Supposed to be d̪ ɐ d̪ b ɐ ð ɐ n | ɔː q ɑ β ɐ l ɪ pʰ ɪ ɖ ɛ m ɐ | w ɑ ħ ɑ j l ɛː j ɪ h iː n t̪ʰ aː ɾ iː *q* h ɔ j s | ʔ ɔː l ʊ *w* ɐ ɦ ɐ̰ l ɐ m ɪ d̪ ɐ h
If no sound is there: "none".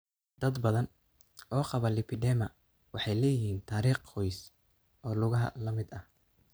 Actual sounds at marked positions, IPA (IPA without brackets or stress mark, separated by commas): q, ɣ